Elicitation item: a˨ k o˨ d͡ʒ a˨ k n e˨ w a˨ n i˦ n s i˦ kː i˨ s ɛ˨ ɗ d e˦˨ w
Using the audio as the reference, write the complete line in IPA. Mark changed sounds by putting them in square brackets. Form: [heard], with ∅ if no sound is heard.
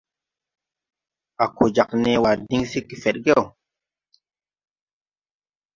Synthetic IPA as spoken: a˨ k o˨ d͡ʒ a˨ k n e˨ w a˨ [d] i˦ [ŋ] s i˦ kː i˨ [f] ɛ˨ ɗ [ɡ] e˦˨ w